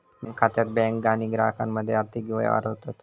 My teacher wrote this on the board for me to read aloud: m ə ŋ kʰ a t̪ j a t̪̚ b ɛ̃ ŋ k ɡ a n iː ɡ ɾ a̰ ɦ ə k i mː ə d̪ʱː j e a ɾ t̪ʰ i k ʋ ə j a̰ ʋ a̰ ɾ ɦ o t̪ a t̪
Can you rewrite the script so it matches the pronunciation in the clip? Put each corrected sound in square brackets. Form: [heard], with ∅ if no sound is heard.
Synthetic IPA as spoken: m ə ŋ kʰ a t̪ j a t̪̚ b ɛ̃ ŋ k ɡ a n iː ɡ ɾ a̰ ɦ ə k [a] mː ə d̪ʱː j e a ɾ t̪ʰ i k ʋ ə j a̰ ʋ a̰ ɾ ɦ o t̪ a t̪